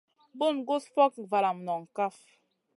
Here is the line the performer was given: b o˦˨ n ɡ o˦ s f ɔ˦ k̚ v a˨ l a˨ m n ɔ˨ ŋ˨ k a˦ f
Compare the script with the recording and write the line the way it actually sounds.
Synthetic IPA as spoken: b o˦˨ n ɡ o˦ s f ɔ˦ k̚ v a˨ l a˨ m n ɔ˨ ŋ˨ k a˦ f